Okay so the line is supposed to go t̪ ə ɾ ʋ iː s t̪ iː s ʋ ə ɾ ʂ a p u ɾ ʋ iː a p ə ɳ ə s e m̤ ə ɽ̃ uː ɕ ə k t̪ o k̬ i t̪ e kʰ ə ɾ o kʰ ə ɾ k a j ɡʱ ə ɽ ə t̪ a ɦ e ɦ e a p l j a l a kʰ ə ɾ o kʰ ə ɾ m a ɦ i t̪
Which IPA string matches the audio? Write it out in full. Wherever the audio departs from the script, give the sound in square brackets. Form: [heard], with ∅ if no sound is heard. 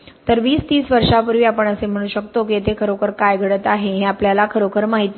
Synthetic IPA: t̪ ə ɾ ʋ iː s t̪ iː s ʋ ə ɾ ʂ a p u ɾ ʋ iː a p ə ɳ ə s e m̤ ə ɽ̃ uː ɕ ə k t̪ o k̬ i t̪ e kʰ ə ɾ o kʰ ə ɾ k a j ɡʱ ə ɽ ə t̪ a ɦ e ɦ e a p l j a l a kʰ ə ɾ o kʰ ə ɾ m a ɦ i t̪